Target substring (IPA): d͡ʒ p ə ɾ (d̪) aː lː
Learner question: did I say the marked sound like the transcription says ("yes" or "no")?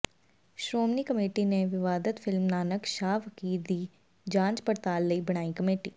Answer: no